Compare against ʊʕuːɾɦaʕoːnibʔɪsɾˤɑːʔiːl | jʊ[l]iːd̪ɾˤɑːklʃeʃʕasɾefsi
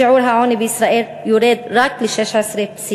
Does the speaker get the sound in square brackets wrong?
yes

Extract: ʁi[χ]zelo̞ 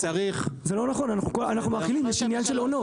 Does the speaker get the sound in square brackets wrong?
no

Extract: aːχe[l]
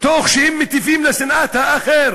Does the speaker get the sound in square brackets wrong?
yes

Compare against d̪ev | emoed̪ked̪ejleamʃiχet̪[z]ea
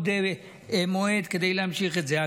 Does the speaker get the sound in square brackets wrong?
no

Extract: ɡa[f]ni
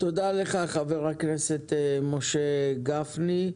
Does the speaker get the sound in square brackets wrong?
no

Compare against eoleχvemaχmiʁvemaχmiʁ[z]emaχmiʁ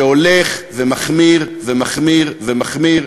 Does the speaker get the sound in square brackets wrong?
yes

